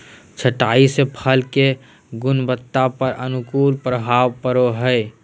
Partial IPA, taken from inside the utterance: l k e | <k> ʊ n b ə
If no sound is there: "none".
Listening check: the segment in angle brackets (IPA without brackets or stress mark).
ɡ